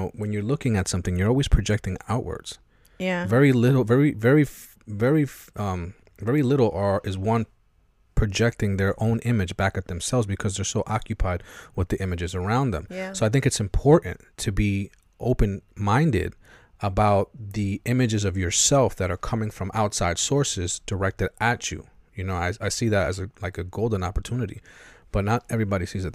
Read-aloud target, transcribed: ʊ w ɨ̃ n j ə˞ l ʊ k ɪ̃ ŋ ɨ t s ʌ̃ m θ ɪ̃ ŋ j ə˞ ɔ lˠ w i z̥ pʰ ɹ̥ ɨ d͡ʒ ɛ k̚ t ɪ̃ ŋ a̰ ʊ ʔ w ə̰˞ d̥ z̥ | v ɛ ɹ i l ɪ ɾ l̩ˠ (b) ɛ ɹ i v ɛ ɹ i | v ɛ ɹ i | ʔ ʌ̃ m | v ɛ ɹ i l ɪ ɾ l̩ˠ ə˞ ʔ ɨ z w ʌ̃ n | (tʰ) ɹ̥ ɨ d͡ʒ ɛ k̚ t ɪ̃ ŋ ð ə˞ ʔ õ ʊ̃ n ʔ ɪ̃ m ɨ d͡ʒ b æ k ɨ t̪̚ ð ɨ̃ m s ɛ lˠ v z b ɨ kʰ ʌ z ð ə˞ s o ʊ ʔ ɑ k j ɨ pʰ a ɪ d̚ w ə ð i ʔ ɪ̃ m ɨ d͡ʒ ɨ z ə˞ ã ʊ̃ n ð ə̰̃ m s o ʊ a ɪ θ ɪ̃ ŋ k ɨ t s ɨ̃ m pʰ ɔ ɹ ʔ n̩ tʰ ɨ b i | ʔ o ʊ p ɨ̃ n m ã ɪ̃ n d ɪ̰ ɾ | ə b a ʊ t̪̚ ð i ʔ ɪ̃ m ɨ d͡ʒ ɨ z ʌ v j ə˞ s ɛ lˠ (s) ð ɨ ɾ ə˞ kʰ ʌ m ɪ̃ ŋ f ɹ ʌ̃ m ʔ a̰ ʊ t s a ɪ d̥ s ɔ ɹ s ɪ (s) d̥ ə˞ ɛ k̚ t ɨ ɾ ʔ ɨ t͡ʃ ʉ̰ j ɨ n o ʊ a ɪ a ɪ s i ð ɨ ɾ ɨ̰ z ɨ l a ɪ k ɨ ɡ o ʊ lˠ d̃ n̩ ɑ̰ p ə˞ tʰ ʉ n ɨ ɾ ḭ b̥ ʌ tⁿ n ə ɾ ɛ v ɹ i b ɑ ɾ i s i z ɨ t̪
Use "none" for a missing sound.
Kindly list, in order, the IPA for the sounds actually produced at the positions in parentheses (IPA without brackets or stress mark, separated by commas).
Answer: v, pʰ, f, z